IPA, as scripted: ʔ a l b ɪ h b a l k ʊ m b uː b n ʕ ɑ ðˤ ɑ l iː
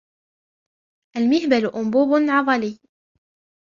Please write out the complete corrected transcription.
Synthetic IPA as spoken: ʔ a l m ɪ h b a l ʔ ʊ m b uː b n ʕ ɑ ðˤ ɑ l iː